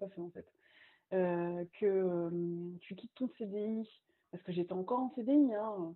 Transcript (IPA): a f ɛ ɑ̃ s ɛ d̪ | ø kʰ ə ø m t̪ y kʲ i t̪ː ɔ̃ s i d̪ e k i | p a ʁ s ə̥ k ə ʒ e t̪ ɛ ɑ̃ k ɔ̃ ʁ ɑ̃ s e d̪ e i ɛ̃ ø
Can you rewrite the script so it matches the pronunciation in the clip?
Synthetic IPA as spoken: a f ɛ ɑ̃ f ɛ t̪ | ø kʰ ə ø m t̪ y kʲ i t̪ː ɔ̃ s e d̪ e i | p a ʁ s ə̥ k ə ʒ e t̪ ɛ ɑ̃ k ɔ ʁ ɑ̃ s e d̪ e i ɛ̃ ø